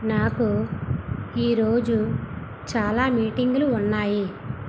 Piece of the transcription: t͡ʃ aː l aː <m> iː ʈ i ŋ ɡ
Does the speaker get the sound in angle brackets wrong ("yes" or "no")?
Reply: no